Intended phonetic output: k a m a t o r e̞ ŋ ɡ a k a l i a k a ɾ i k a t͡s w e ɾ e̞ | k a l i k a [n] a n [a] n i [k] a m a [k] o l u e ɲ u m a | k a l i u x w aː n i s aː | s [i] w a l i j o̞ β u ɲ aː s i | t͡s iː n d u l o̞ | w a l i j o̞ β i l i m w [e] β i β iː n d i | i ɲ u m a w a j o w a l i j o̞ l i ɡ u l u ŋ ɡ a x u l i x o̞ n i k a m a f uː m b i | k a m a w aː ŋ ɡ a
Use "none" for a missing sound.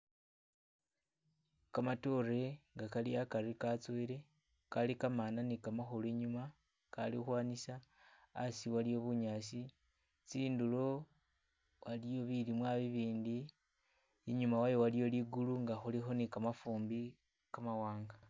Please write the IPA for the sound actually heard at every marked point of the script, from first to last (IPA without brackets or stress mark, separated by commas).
m, a, k, x, i, a